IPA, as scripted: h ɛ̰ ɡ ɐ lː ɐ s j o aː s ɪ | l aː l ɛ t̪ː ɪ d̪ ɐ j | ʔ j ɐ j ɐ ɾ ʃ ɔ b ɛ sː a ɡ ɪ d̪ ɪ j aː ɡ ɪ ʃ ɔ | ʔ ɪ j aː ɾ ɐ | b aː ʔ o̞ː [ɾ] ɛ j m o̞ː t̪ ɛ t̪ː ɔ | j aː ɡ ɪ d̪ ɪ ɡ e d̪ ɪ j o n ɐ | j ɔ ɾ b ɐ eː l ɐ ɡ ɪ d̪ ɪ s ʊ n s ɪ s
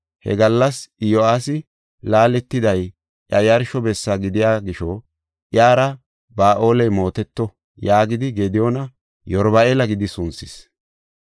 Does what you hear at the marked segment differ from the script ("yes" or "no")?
yes